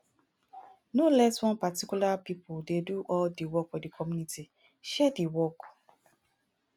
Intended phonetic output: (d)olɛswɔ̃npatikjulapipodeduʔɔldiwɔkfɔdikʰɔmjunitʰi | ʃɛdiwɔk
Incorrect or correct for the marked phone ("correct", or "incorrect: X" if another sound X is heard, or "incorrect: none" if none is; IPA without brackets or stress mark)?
incorrect: n